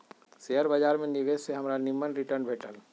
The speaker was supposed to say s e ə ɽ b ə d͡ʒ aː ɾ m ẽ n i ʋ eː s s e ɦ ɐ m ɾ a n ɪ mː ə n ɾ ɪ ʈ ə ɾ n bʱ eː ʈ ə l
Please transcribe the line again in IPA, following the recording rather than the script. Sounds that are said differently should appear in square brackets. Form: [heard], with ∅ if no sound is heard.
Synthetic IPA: s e ə [ɾ] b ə d͡ʒ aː ɾ m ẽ n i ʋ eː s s e ɦ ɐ m ɾ a n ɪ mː ə n ɾ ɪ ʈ ə ɾ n bʱ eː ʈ ə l